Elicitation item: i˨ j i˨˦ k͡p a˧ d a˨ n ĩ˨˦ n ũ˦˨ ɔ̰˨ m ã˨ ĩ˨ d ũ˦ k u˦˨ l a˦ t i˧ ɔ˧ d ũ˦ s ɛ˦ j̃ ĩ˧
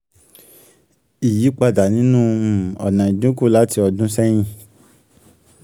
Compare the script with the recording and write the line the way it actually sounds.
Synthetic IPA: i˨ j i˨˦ k͡p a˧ d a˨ n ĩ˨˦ n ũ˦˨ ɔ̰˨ n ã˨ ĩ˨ d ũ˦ k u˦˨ l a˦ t i˧ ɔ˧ d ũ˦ s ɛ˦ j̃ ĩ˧